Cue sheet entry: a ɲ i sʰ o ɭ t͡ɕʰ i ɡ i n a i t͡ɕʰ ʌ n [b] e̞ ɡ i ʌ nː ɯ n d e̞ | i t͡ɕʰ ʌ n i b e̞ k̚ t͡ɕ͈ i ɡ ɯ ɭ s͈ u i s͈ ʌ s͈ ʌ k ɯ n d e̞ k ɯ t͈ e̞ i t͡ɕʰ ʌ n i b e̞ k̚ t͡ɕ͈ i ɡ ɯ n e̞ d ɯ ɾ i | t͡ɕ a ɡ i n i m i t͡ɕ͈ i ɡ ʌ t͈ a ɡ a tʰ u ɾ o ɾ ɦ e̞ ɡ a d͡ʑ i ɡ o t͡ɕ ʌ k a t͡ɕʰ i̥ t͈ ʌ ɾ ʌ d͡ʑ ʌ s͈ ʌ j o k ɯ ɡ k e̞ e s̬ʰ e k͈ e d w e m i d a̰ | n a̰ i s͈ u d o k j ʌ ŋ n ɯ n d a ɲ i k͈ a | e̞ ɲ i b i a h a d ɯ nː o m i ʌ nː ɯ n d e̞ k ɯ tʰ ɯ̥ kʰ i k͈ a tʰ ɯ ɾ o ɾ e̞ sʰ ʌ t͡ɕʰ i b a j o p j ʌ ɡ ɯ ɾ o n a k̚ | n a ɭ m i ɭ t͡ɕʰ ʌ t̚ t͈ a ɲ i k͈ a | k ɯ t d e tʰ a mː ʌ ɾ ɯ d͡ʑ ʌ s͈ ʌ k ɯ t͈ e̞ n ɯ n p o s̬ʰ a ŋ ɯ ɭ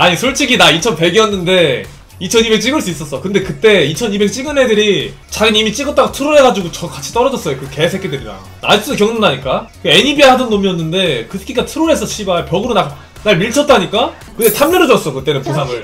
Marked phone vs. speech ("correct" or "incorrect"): incorrect